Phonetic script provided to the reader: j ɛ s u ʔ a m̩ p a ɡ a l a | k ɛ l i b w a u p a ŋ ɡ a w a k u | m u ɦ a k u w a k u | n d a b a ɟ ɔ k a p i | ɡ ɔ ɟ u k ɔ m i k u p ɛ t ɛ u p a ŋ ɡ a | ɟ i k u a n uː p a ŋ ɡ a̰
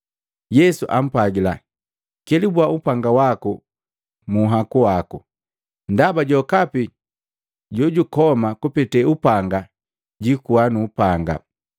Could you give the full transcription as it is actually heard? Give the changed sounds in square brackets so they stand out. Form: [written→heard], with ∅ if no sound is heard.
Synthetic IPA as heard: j ɛ s u ʔ a m̩ p a ɡ [a→i] l a | k ɛ l i b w a u p a ŋ ɡ a w a k u | m u ɦ a k u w a k u | n d a b a ɟ ɔ k a p i | [ɡ→ɟ] ɔ ɟ u k ɔ m [i→a] k u p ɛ t ɛ u p a ŋ ɡ a | ɟ i k u a n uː p a ŋ ɡ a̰